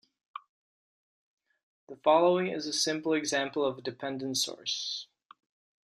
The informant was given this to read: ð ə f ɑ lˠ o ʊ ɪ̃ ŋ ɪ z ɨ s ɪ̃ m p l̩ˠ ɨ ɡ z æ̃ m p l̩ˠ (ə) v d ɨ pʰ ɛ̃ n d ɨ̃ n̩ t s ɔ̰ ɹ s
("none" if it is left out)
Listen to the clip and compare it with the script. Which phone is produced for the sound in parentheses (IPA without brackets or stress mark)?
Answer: ʌ